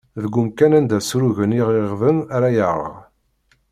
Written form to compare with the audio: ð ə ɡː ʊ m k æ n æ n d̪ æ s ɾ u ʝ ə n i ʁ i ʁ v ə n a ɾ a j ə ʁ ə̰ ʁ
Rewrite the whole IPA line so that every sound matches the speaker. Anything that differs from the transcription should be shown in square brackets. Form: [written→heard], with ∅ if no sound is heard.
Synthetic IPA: ð ə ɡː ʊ m k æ n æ n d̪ æ s ɾ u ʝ ə n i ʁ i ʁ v ə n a ɾ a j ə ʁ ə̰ ʁ